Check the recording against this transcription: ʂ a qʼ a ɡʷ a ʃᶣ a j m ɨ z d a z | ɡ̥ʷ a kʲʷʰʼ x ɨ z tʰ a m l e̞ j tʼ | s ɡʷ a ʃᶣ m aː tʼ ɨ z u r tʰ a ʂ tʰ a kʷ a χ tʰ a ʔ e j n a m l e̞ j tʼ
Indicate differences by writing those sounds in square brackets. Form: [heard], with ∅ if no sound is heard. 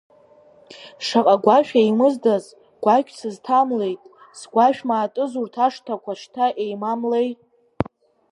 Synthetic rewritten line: ʂ a qʼ a ɡʷ a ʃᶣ a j m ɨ z d a z | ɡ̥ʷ a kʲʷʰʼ [s] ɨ z tʰ a m l e̞ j tʼ | s ɡʷ a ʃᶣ m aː tʼ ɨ z u r tʰ a ʂ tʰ a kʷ a [ʂ] tʰ a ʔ e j [m] a m l e̞ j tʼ